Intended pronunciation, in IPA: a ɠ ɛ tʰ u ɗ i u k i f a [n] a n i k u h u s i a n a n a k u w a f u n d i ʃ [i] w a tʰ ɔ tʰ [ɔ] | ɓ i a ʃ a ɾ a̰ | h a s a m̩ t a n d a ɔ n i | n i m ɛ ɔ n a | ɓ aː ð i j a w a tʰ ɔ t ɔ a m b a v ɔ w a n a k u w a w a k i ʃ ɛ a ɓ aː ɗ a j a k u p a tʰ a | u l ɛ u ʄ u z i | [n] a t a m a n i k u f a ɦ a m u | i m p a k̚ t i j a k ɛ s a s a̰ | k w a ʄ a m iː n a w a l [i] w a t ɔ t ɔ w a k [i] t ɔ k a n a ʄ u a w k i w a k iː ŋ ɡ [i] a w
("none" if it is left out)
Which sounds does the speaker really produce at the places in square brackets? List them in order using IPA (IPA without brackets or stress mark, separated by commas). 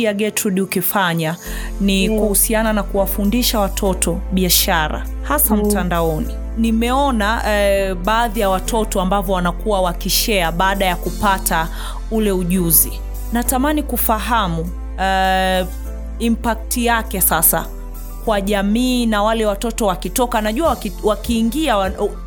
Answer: ɲ, a, ɔ, n, ɛ, i, i